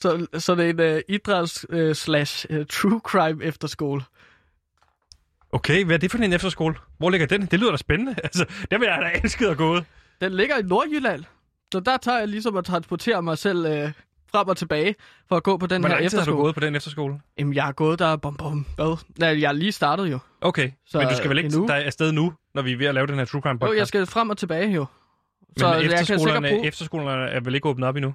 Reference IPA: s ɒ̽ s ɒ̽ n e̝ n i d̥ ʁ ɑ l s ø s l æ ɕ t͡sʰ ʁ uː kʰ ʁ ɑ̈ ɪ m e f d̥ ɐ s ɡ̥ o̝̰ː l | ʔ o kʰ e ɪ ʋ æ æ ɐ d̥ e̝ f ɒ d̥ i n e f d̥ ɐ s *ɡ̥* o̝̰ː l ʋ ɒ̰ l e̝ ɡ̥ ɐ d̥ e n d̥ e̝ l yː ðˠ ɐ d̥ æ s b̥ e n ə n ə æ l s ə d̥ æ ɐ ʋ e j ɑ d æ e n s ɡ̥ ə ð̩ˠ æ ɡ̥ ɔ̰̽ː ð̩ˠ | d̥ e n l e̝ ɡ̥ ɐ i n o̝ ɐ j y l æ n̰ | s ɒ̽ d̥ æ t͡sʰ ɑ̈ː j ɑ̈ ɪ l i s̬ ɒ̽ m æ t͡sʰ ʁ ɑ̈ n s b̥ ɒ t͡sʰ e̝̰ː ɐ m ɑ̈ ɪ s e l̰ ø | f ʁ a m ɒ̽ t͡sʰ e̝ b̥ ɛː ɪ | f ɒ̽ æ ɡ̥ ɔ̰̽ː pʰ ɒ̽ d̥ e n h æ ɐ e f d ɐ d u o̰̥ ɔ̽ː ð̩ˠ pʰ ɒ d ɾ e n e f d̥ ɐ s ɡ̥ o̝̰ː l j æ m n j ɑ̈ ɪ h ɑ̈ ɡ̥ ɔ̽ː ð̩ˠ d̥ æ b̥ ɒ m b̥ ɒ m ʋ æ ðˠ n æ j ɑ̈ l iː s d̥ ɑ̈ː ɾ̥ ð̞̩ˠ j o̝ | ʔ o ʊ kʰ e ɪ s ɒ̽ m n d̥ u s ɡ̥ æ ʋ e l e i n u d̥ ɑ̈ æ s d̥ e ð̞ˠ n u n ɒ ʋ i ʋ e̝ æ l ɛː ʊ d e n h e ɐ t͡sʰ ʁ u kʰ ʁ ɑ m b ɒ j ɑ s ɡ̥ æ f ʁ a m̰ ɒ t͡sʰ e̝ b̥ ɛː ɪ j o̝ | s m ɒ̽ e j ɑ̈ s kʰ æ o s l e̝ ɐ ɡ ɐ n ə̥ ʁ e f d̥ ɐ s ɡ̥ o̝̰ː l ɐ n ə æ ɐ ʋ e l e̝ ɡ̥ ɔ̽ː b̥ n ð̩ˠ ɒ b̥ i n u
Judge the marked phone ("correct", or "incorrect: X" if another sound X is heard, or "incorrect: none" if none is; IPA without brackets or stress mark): correct